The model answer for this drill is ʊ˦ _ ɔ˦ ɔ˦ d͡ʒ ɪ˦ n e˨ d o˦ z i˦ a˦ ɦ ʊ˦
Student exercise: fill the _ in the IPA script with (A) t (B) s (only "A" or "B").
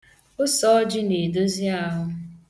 B